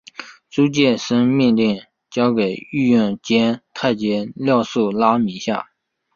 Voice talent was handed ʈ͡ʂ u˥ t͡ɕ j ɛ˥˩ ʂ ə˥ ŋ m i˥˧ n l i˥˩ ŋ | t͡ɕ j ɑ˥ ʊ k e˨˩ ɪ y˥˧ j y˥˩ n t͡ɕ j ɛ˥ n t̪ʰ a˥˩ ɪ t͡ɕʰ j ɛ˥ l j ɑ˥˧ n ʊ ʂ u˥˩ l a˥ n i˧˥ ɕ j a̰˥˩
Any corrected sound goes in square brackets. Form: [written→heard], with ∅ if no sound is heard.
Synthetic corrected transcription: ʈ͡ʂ u˥ t͡ɕ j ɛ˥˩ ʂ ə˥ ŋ m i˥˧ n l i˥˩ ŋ | t͡ɕ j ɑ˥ ʊ k e˨˩ ɪ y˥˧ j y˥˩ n t͡ɕ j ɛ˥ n t̪ʰ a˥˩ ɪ [t͡ɕʰ→t͡ɕ] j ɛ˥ l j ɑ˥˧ [n→∅] ʊ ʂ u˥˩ l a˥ [n→m] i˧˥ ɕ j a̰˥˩